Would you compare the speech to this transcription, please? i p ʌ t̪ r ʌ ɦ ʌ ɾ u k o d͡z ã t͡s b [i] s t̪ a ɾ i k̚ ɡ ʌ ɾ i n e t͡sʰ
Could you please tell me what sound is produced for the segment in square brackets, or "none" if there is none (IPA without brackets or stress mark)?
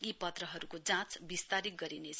i